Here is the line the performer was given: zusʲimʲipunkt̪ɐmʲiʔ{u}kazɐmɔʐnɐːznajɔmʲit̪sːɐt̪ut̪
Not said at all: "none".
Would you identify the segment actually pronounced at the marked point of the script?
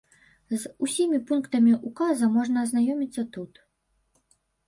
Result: u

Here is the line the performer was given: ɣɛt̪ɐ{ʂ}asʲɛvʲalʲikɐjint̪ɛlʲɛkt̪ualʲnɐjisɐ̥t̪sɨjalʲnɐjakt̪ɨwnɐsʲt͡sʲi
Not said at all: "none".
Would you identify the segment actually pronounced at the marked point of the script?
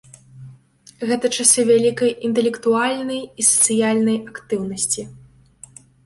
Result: t͡ʂ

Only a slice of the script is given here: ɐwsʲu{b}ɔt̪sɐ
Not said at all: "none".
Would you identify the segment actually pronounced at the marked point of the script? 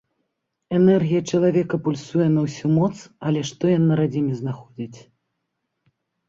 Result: m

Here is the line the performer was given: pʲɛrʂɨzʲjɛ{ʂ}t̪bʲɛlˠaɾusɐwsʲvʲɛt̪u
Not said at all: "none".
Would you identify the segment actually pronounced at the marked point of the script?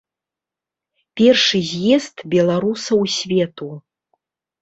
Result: s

